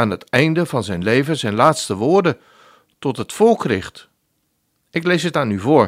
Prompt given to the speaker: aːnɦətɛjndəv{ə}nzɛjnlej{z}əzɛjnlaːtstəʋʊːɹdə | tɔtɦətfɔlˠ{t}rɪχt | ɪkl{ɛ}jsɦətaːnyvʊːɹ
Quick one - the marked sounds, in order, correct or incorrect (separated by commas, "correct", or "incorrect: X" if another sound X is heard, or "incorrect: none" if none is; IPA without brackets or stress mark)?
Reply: incorrect: ɑ, incorrect: v, incorrect: k, incorrect: e